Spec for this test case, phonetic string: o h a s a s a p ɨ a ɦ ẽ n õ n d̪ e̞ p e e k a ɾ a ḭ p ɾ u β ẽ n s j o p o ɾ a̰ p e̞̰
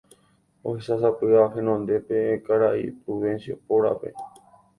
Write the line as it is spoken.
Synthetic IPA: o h e s a s a p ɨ a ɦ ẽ n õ n d̪ e̞ p e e k a ɾ a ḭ p ɾ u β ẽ n s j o p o ɾ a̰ p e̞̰